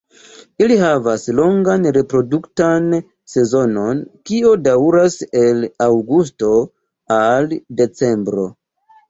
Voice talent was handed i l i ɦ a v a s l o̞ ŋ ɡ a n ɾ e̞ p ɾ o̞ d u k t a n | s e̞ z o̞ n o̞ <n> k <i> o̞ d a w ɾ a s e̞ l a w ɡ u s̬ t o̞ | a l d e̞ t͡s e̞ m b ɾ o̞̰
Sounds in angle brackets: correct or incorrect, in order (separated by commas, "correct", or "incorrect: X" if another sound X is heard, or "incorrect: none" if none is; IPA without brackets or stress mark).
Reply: correct, correct